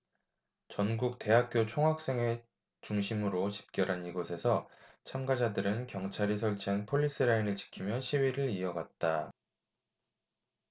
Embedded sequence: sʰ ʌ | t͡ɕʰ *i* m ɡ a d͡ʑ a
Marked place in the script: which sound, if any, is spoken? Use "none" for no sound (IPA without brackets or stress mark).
a